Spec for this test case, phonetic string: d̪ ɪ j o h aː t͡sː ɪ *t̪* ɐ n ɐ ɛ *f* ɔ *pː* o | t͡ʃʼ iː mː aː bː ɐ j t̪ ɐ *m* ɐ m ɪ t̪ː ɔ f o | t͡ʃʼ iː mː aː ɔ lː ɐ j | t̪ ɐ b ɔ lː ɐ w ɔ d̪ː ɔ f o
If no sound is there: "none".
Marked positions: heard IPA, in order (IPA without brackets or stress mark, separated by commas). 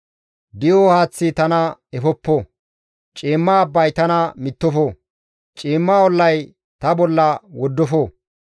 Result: t̪, f, pː, n